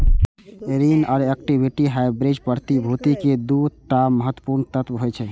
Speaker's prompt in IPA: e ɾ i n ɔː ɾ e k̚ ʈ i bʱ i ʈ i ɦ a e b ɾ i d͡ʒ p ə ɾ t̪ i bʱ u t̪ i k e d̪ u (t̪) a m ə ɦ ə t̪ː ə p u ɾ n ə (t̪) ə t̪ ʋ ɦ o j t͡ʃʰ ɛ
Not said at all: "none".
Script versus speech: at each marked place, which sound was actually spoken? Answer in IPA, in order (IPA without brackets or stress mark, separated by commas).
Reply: t̪, t̪